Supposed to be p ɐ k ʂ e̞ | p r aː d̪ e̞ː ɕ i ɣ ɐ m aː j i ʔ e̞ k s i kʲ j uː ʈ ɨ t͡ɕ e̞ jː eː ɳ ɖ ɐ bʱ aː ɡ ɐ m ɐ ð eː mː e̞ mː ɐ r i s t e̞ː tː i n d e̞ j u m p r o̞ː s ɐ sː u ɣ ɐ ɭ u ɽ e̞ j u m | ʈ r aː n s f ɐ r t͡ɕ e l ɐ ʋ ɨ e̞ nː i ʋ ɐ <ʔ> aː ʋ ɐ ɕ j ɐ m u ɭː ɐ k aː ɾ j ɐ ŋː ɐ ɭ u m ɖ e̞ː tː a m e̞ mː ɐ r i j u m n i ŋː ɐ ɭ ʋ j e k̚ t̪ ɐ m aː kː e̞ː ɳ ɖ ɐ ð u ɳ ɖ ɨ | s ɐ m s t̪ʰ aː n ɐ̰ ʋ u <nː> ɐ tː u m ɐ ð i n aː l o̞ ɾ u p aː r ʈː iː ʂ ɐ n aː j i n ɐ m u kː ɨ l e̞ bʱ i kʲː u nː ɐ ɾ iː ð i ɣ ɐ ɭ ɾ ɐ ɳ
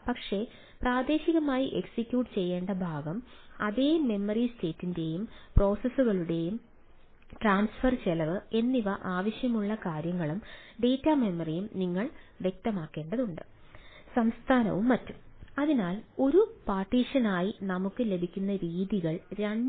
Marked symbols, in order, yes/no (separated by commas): yes, no